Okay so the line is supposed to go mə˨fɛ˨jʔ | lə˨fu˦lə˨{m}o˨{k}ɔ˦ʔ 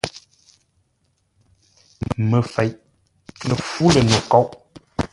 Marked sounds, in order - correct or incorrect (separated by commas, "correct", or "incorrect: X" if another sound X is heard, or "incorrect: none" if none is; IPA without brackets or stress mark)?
incorrect: n, correct